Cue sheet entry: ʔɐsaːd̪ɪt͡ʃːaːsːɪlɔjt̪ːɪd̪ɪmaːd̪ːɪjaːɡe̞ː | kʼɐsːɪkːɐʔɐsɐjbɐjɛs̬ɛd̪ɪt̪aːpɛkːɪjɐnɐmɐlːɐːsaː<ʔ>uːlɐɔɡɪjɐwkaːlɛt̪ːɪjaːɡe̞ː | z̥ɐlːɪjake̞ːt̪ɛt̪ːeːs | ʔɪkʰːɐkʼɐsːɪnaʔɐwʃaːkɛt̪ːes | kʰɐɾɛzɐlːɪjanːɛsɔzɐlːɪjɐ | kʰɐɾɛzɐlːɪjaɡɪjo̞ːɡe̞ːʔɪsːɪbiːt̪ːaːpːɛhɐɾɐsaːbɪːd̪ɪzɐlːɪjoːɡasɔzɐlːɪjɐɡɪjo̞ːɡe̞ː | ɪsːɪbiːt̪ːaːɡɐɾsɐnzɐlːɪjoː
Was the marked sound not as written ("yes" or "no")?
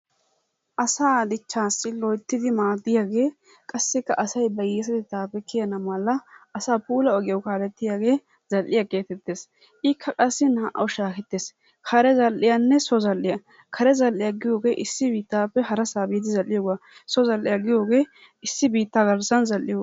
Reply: yes